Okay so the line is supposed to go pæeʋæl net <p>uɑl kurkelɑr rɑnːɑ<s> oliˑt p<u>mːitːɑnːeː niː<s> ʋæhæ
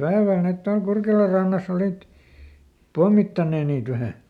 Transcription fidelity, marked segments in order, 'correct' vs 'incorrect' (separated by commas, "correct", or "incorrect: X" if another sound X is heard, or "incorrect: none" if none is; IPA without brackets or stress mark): incorrect: t, correct, incorrect: o, incorrect: t